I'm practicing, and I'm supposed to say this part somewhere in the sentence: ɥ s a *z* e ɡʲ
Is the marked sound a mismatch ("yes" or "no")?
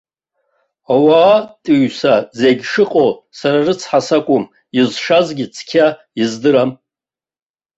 no